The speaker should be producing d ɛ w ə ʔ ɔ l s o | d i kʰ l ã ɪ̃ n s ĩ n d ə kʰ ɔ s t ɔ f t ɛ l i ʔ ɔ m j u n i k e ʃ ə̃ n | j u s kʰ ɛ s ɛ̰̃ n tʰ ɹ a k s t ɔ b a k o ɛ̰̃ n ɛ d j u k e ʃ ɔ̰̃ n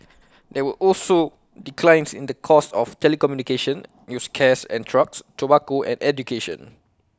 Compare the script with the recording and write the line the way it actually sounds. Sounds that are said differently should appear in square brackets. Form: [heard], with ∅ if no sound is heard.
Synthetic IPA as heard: d ɛ w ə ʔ ɔ l s o | d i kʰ l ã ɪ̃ n s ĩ n d ə kʰ ɔ s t ɔ f t ɛ l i [k] ɔ m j u n i k e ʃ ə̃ n | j u s kʰ ɛ s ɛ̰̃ n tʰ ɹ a k s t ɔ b a k o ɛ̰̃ n ɛ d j u k e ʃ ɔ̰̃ n